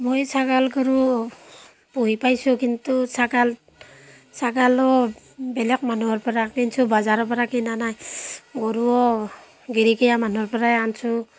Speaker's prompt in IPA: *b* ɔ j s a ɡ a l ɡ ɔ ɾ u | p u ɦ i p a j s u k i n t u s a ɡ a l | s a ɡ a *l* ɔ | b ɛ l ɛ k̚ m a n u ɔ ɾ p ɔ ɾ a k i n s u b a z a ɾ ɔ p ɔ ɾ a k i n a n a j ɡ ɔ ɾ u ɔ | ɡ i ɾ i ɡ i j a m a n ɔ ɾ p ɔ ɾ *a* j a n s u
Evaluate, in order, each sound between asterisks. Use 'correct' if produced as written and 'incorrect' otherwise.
incorrect: m, correct, correct

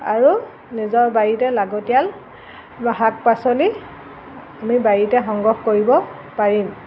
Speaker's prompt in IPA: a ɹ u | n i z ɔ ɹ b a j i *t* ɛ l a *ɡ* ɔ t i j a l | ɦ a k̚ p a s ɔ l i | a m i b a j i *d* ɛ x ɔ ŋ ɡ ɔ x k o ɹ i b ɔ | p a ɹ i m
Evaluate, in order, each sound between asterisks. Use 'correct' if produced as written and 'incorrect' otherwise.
correct, correct, incorrect: t

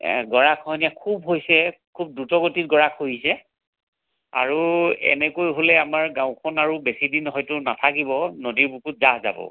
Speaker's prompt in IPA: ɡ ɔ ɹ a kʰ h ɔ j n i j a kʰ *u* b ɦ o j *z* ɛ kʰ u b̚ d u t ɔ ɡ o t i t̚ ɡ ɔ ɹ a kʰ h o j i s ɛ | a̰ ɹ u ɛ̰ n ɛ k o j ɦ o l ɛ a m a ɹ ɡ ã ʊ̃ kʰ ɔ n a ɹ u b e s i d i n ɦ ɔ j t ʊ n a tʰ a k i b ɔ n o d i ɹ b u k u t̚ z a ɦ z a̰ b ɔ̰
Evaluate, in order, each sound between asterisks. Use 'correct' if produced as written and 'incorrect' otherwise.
correct, incorrect: s

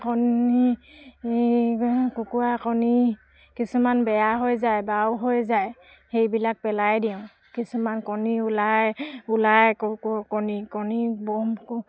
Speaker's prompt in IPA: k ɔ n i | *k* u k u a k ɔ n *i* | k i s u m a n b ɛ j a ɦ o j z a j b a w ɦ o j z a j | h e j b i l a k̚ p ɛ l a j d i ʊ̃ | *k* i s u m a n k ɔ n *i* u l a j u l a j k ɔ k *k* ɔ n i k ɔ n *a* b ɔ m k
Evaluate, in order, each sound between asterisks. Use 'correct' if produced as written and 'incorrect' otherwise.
correct, correct, correct, correct, correct, incorrect: i

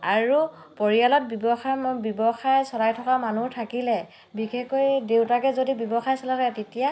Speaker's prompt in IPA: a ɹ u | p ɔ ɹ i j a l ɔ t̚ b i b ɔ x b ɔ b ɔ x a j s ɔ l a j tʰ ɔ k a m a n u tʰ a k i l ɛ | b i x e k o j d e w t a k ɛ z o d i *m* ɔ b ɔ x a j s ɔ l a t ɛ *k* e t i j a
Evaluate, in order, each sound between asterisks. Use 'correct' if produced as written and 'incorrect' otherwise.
incorrect: b, incorrect: t

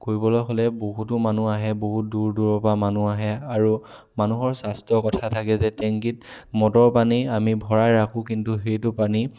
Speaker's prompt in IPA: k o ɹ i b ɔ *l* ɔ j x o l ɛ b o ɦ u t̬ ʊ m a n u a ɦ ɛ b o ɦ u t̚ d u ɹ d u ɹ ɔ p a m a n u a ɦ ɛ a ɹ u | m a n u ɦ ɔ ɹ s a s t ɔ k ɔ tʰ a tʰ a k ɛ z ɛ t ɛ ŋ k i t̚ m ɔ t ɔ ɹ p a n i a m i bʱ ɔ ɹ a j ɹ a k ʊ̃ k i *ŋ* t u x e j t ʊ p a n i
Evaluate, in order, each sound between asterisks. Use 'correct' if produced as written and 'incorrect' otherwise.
correct, incorrect: n

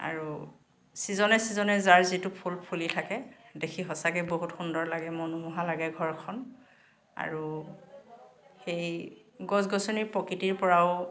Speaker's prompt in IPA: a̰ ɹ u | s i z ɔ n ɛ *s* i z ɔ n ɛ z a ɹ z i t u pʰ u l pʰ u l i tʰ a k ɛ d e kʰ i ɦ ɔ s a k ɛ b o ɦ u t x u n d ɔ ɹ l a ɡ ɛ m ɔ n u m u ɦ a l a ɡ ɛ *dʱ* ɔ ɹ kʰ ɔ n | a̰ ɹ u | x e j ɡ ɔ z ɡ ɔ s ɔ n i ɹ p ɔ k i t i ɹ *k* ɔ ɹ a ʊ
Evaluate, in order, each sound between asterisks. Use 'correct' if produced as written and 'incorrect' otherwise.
correct, incorrect: ɡʱ, incorrect: p

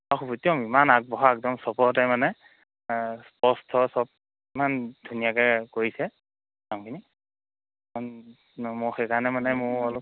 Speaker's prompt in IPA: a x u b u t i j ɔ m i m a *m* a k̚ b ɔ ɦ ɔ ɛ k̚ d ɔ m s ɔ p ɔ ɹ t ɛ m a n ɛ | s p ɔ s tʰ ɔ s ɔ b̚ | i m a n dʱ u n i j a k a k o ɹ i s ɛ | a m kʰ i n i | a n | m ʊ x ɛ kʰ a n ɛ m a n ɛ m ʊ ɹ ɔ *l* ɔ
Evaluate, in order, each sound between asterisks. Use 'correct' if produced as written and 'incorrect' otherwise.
incorrect: n, correct

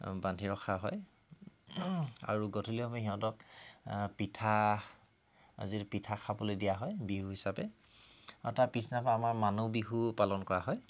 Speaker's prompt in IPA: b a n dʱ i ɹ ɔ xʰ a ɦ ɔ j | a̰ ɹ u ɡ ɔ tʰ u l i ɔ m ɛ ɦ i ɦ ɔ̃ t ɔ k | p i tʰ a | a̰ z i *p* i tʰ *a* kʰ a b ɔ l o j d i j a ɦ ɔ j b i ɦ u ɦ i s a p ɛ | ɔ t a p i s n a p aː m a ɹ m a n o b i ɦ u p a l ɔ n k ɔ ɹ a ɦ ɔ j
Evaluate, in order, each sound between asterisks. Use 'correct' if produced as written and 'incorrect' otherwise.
correct, correct

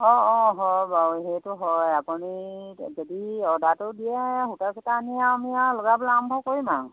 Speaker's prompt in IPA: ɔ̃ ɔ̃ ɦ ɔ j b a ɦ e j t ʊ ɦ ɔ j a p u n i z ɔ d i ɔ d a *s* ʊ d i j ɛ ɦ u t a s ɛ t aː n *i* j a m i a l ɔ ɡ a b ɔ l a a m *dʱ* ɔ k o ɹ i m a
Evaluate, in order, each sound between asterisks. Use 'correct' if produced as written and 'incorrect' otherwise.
incorrect: t, correct, incorrect: bʱ

